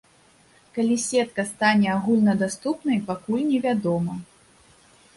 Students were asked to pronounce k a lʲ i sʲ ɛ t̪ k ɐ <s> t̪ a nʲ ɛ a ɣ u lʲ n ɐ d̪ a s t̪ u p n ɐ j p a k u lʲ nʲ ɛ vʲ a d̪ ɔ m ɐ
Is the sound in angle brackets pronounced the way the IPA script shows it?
yes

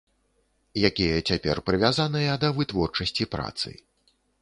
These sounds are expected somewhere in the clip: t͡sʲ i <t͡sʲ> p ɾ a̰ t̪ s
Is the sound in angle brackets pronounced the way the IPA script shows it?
no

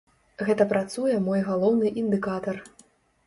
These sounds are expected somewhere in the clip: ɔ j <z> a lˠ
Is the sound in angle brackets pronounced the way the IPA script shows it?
no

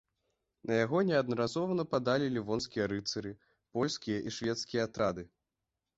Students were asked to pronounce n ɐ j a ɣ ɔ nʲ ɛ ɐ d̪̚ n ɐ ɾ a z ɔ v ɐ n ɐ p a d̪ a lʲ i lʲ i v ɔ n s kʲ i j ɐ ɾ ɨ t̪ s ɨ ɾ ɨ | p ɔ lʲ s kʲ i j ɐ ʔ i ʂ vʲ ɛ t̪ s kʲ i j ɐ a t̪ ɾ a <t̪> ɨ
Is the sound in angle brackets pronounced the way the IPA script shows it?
no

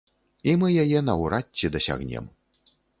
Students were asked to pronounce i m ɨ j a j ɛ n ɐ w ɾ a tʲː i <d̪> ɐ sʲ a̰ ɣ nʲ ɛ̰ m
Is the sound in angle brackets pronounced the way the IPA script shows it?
yes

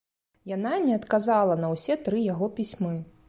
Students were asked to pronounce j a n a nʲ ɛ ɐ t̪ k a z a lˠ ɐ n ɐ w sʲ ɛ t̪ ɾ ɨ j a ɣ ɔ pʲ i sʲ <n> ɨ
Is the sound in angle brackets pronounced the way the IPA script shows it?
no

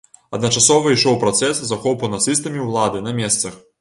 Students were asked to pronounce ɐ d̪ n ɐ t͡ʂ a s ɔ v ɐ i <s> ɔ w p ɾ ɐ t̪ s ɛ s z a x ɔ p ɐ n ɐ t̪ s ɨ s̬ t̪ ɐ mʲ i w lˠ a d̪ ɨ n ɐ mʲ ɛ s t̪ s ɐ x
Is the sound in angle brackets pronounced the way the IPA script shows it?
no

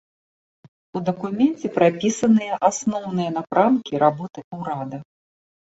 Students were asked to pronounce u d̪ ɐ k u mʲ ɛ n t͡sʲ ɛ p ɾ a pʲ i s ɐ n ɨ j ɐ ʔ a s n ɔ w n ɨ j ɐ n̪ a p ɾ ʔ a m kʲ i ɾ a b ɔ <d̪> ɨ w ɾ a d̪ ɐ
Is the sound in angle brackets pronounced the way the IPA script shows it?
no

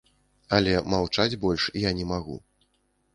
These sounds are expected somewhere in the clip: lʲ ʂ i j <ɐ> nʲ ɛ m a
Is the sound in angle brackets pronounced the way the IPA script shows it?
no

